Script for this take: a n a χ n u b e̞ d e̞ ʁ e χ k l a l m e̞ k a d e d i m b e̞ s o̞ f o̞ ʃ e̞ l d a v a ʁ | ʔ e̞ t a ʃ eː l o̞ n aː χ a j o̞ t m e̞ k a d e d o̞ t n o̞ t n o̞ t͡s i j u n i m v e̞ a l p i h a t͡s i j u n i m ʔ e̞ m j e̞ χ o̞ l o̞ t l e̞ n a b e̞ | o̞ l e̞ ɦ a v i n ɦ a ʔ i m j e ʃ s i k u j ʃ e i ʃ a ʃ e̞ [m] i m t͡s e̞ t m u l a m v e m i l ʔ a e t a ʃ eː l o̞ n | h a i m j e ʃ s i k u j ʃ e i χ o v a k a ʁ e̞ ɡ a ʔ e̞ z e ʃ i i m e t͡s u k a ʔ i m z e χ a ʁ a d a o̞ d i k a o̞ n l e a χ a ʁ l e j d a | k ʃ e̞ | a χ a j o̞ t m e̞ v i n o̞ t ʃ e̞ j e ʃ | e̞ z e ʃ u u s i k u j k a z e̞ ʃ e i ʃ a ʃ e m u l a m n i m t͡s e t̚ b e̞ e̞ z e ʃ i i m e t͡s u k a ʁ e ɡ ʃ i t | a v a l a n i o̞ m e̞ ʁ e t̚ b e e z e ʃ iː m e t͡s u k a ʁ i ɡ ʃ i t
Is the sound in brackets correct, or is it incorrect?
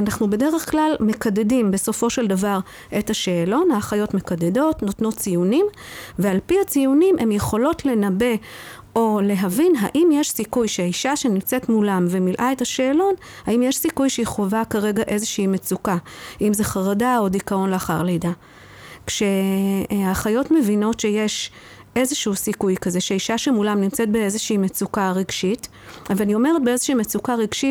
incorrect